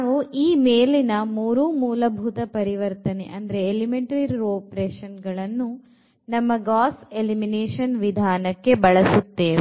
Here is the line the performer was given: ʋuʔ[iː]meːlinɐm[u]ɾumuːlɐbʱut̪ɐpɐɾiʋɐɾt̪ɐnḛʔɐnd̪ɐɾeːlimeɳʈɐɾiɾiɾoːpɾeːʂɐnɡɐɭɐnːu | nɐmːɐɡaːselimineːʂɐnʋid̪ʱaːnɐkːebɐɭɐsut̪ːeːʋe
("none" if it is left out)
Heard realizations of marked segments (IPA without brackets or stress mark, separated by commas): iː, uː